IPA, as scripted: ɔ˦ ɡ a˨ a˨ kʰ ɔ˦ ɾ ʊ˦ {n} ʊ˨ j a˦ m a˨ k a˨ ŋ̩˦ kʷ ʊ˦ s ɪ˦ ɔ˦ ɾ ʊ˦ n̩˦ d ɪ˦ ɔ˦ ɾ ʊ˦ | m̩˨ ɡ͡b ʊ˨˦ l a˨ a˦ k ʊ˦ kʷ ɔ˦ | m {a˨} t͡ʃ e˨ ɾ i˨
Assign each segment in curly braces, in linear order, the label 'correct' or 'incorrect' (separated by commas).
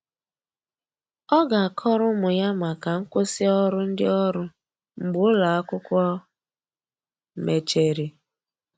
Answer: incorrect, incorrect